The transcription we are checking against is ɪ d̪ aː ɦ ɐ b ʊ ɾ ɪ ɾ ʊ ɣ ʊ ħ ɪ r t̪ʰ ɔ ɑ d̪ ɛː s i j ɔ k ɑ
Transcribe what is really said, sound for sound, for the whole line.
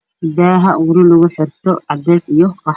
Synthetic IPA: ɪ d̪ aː ɦ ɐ w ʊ ɾ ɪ l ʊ ɣ ʊ ħ ɪ r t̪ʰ ɔ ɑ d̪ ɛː s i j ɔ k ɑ